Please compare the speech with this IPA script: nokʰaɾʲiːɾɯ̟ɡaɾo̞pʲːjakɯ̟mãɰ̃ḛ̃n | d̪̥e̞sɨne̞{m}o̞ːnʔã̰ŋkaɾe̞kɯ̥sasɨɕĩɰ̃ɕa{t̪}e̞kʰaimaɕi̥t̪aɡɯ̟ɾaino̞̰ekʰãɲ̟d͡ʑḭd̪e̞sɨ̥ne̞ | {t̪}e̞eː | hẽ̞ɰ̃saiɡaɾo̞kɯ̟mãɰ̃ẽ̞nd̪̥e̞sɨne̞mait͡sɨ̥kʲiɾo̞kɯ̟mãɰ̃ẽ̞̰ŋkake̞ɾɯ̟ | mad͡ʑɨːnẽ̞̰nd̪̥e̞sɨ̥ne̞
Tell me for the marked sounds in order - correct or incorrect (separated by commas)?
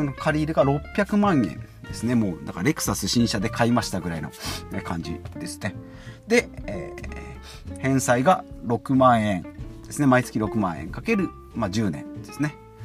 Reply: correct, incorrect, incorrect